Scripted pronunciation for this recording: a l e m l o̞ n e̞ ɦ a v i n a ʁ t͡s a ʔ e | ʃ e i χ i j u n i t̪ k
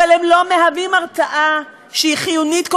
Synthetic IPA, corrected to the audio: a l e m l o̞ m e̞ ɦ a v i m a ʁ t͡s a ʔ a | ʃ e i χ i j u n i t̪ k